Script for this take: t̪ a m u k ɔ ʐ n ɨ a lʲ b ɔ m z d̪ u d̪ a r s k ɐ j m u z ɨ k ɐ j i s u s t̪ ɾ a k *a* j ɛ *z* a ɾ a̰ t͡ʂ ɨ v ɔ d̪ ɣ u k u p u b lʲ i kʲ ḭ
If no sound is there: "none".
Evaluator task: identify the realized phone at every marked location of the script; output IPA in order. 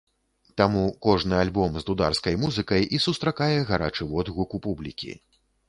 a, ɣ

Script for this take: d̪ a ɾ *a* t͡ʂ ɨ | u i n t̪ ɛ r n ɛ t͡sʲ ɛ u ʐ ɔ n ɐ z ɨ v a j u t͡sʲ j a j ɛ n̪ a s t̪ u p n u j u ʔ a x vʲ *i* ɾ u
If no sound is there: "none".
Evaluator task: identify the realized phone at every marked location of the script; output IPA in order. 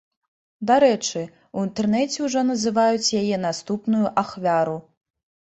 ɛ, a

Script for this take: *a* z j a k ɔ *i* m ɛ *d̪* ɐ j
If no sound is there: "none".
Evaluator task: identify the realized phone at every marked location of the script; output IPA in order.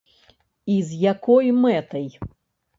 i, j, t̪

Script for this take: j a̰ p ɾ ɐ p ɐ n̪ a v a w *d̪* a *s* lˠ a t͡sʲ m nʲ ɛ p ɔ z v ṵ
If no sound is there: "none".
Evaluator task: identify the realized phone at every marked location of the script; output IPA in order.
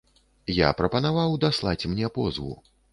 d̪, s

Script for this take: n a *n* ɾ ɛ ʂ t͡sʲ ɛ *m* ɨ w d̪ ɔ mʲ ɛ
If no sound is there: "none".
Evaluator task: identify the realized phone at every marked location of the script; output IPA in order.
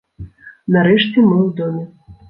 none, m

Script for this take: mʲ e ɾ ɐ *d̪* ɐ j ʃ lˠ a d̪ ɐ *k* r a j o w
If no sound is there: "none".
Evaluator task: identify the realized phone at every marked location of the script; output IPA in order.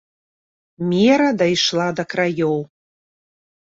d̪, k

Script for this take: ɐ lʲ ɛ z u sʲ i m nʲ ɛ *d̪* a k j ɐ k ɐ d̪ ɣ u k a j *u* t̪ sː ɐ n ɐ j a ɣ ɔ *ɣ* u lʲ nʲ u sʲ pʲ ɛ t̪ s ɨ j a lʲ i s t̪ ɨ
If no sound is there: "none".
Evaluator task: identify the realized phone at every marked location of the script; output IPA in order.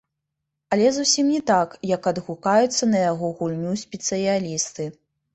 t̪, u, ɣ

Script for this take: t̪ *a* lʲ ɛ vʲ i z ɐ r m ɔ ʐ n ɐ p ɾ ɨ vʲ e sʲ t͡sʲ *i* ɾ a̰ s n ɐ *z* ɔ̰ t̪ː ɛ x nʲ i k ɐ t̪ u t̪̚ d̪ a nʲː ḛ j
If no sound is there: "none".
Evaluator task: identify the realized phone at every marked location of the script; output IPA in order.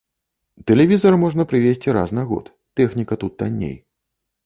ɛ, i, ɣ

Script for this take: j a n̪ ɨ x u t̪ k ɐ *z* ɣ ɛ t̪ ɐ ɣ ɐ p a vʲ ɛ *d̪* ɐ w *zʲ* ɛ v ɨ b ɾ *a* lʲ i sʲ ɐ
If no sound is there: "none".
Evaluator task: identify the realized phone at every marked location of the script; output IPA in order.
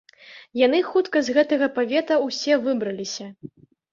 z, t̪, sʲ, ɐ

